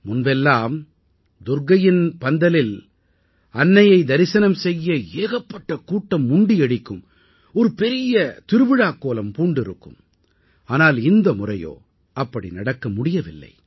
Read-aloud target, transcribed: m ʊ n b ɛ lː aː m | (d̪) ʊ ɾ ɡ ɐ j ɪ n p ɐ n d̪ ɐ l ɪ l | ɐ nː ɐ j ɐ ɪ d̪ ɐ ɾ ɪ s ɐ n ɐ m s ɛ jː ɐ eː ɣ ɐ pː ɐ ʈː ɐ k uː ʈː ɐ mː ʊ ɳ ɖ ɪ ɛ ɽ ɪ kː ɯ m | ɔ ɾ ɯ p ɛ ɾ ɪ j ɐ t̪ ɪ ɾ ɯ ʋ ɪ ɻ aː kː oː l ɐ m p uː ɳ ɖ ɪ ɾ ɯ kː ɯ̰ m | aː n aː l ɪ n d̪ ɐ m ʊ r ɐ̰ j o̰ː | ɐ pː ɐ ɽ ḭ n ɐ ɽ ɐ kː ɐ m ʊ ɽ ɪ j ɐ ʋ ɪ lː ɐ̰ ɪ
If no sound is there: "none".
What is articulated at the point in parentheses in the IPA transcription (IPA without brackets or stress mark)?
d̪